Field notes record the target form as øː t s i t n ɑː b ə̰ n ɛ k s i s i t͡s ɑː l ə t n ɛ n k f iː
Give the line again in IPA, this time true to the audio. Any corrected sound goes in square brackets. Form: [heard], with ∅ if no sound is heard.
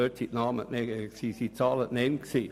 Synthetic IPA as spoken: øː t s i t n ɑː [m] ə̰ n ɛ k s i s i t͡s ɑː l ə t n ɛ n k [s] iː